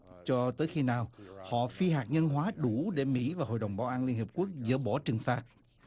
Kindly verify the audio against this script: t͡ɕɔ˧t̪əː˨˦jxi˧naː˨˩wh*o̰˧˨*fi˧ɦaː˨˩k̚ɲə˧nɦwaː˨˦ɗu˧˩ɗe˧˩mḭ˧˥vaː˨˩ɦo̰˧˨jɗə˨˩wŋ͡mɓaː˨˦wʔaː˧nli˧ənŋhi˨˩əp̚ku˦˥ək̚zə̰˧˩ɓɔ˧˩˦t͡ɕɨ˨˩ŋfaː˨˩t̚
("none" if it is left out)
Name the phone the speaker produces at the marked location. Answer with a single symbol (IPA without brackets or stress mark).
ɔ̰˧˨